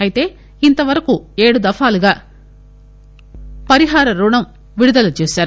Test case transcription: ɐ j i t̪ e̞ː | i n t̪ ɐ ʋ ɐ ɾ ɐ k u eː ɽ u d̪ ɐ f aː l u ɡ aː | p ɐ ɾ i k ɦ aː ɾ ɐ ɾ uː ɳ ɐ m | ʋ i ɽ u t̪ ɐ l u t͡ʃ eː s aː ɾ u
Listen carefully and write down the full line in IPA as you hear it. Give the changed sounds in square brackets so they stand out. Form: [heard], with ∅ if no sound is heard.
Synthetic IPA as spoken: ɐ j i t̪ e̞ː | i n t̪ ɐ ʋ ɐ ɾ ɐ k u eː ɽ u d̪ ɐ f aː l u ɡ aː | p ɐ ɾ i [∅] ɦ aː ɾ ɐ ɾ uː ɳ ɐ m | ʋ i ɽ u [d̪] ɐ l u t͡ʃ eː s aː ɾ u